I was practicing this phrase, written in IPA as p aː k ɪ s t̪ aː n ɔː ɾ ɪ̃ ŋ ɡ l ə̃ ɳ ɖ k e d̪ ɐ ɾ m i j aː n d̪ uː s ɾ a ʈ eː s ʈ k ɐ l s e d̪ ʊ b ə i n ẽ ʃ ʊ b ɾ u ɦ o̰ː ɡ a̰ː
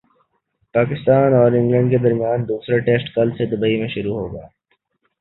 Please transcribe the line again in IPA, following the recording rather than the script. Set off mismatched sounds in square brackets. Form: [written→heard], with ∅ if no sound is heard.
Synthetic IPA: p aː k ɪ s t̪ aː n ɔː ɾ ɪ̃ ŋ ɡ l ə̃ ɳ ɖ k e d̪ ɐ ɾ m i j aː n d̪ uː s ɾ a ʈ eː s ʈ k ɐ l s e d̪ ʊ b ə i [n→m] ẽ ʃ ʊ [b→∅] ɾ u ɦ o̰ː ɡ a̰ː